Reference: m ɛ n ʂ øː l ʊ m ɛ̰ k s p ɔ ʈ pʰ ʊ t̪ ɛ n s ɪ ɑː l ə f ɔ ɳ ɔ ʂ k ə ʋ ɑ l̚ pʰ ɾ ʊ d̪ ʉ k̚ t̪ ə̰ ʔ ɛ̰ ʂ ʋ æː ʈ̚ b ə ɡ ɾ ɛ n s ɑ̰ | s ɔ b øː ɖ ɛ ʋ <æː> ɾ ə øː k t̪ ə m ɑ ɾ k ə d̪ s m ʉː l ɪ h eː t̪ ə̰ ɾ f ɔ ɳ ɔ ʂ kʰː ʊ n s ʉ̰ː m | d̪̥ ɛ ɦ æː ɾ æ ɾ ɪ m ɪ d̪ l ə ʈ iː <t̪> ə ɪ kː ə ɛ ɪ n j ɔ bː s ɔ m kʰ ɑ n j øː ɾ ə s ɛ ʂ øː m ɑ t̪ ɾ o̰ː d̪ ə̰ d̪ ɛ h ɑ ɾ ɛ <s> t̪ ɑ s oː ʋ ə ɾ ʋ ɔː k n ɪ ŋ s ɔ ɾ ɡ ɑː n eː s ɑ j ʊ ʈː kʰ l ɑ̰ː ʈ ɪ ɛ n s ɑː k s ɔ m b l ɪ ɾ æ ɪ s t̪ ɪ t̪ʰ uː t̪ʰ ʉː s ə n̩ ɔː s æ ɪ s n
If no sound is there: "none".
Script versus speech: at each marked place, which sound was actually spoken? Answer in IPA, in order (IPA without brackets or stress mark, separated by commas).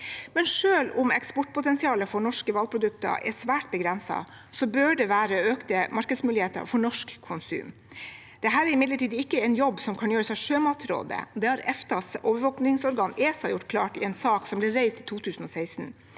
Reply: æː, d̪, f